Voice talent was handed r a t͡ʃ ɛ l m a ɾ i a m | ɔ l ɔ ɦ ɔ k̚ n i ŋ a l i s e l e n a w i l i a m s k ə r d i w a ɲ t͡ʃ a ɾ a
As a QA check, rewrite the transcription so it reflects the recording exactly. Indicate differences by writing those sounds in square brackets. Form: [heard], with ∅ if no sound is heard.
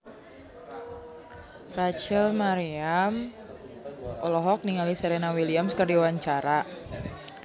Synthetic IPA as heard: r a t͡ʃ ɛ l m a ɾ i a m | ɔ l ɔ ɦ ɔ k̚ n i ŋ a l i s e [ɾ] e n a w i l i a m s k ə r d i w a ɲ t͡ʃ a ɾ a